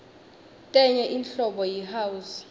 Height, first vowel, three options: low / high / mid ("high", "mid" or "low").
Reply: mid